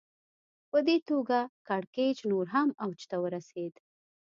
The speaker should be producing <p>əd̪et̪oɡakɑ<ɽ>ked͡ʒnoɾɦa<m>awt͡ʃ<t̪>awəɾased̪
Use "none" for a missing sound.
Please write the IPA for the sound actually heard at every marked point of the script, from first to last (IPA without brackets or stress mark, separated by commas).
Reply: p, ɽ, m, t̪